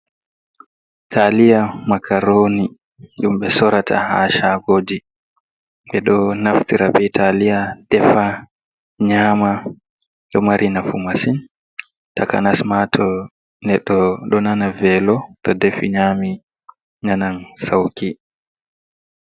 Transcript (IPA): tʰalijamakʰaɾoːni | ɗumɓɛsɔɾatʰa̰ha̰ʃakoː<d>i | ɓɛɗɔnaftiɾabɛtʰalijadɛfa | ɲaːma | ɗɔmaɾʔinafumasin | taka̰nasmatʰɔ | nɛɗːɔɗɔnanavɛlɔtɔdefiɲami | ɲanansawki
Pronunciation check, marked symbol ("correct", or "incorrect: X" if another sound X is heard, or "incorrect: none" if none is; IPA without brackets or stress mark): correct